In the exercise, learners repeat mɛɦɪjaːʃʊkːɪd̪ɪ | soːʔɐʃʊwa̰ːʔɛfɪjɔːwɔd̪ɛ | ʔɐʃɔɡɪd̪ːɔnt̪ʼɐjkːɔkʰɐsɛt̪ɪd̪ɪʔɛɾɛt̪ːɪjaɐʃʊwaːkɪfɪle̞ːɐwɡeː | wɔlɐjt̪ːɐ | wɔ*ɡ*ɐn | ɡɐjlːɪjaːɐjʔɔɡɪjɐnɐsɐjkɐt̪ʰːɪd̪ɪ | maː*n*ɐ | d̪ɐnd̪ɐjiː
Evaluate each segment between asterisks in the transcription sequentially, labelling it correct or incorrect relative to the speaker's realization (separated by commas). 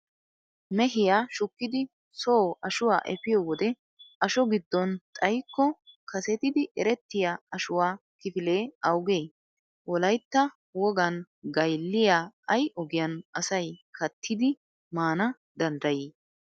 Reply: correct, correct